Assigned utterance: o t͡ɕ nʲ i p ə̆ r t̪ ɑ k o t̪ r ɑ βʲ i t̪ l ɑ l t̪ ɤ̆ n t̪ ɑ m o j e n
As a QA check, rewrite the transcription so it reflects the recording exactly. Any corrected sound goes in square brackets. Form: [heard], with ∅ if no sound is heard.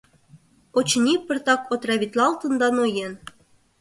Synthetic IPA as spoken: o t͡ɕ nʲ i p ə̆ r t̪ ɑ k o t̪ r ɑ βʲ i t̪ l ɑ l t̪ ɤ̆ n [d̪] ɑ [n] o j e n